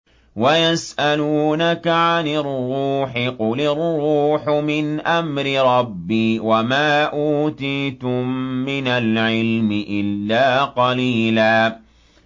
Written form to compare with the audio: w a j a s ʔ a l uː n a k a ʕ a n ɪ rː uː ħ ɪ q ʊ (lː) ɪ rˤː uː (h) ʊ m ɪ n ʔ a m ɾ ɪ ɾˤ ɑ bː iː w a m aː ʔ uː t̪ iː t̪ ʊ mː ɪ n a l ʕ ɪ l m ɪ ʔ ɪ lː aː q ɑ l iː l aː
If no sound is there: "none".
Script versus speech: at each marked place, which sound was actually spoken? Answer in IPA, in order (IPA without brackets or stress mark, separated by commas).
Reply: l, ħ